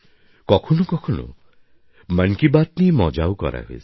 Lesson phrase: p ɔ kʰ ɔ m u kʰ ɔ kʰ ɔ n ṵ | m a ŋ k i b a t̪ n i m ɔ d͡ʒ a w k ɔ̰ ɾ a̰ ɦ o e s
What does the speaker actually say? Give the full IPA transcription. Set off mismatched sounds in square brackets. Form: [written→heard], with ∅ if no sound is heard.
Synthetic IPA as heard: [p→k] ɔ kʰ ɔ [m→n] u [kʰ→k] ɔ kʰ ɔ n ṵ | m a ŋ k i b a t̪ n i m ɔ d͡ʒ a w k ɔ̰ ɾ a̰ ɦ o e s